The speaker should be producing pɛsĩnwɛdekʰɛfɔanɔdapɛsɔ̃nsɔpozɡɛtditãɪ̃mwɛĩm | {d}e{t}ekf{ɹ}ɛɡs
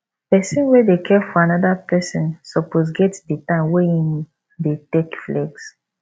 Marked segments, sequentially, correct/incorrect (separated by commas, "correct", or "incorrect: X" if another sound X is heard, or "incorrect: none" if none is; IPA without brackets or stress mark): correct, correct, incorrect: l